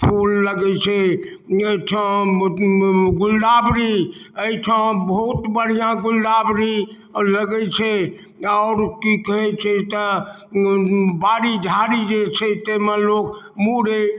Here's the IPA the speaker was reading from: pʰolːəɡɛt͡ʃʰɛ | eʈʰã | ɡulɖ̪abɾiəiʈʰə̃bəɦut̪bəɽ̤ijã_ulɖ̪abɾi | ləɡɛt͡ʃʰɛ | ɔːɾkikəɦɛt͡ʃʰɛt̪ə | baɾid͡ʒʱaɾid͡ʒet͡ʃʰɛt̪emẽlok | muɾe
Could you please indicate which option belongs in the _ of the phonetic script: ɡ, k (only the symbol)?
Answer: ɡ